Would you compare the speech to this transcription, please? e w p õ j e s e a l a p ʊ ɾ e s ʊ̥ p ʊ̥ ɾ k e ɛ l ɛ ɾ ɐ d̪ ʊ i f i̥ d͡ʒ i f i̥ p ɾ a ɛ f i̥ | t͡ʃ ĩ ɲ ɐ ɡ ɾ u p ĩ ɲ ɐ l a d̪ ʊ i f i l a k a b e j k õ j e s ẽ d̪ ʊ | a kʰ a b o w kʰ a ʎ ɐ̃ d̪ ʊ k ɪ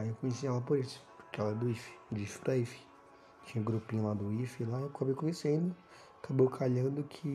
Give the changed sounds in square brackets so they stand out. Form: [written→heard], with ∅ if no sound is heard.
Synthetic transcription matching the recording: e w [p→k] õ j e s [e→i] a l a p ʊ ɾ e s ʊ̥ p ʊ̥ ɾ k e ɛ l ɛ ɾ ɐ d̪ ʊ i f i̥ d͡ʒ i f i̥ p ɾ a [ɛ→i] f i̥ | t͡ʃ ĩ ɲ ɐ ɡ ɾ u p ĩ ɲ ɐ l a d̪ ʊ i f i l a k a b e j k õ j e s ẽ d̪ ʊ | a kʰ a b o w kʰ a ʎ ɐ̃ d̪ ʊ [k→kʰ] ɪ